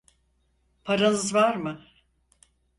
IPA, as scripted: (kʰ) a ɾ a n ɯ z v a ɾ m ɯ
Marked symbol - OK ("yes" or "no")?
no